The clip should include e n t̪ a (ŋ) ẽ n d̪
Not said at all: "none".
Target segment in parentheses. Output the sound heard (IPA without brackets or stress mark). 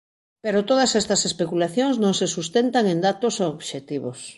ŋ